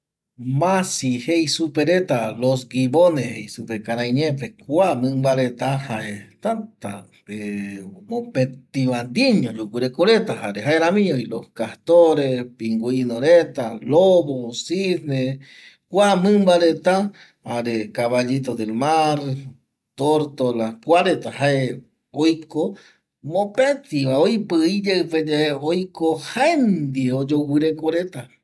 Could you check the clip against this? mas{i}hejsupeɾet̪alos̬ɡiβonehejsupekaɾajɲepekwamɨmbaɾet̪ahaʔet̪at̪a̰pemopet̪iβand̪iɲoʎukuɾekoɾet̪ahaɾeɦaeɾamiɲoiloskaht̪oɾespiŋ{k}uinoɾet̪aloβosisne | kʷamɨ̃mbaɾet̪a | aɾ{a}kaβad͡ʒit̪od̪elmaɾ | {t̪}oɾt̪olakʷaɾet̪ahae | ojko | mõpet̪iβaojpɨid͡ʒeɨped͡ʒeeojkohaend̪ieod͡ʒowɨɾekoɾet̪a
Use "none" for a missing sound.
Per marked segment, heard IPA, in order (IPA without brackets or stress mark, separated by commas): i, ɡ, e, t̪